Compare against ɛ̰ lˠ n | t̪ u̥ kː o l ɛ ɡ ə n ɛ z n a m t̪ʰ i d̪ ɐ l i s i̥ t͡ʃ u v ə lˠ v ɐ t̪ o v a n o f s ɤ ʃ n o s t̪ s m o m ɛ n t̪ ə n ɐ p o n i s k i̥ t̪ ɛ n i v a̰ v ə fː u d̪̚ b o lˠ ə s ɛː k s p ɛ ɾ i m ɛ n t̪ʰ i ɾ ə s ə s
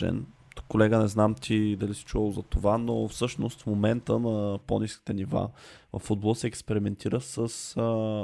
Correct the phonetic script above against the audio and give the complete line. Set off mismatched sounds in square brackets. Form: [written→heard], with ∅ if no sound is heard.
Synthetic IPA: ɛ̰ [lˠ→∅] n | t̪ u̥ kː o l ɛ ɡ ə n ɛ z n a m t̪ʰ i d̪ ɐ l i s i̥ t͡ʃ u v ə lˠ [v→z] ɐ t̪ o v a n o f s ɤ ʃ n o s t̪ [s→f] m o m ɛ n t̪ ə n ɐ p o n i s k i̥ t̪ ɛ n i v a̰ v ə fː u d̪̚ b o lˠ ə s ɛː k s p ɛ ɾ i m ɛ n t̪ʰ i ɾ ə s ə s